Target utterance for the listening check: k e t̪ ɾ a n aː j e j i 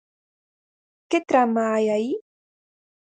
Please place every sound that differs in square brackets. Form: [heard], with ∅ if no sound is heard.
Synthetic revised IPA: k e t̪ ɾ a [m] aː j [a] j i